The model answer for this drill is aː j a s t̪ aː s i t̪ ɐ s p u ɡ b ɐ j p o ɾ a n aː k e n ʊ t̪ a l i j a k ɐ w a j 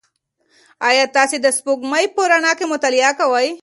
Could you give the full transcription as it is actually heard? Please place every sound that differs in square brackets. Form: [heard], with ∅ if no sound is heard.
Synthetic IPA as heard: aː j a [∅] t̪ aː s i [d̪] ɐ s p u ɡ [m] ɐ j p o ɾ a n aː k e [m] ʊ t̪ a l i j a k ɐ w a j